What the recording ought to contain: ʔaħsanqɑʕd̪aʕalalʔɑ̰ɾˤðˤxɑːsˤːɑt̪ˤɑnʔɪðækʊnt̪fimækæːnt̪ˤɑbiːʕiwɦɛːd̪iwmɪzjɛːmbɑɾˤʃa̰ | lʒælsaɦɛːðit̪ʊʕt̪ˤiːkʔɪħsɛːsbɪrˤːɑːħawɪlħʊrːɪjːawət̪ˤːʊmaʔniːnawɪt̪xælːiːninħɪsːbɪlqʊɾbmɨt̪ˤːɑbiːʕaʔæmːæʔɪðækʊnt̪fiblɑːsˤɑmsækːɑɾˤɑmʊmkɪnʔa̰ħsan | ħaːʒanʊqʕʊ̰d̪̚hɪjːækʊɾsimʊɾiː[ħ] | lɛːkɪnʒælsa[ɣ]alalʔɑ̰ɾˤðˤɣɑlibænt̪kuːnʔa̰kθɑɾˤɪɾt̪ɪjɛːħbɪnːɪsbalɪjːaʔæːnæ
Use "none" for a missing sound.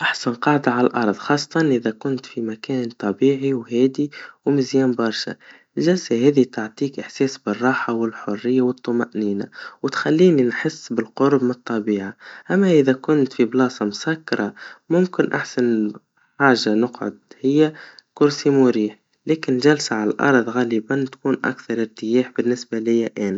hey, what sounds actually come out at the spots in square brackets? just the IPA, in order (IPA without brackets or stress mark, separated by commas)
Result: ħ, ʕ